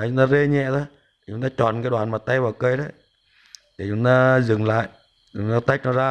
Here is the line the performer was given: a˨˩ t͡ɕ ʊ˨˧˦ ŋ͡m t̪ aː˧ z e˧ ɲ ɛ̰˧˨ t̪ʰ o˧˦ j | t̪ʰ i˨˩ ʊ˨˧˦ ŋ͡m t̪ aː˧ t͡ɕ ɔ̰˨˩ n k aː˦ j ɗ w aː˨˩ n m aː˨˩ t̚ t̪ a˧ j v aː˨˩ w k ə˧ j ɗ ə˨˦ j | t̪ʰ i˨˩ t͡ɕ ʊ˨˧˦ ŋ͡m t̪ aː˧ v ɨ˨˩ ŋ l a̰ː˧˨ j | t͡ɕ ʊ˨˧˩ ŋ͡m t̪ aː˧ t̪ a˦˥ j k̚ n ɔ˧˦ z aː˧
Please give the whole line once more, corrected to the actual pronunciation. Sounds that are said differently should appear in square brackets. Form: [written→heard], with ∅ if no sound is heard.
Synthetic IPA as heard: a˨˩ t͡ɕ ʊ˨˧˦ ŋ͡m t̪ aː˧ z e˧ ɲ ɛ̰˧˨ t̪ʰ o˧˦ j | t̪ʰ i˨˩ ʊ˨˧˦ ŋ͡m t̪ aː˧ t͡ɕ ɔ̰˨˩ n k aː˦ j ɗ w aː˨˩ n m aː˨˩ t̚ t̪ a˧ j v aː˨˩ w k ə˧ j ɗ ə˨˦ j | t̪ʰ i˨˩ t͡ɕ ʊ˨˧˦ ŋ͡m t̪ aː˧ [v→z] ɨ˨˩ ŋ l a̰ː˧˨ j | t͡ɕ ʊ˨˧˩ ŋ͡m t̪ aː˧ t̪ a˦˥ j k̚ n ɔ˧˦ z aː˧